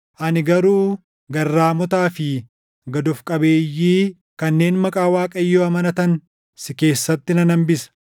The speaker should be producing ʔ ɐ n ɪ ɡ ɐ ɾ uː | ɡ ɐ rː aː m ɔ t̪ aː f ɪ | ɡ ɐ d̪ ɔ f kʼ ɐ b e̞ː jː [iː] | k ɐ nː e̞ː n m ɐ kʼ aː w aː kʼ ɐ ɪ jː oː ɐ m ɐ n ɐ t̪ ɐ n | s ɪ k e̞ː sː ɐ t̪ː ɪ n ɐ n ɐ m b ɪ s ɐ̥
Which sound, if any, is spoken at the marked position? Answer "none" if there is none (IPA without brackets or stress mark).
iː